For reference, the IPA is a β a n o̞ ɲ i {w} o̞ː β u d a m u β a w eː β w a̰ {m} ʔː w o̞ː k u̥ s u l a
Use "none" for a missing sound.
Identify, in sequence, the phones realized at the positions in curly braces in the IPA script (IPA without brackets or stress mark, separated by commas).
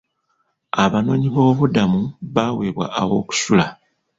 β, none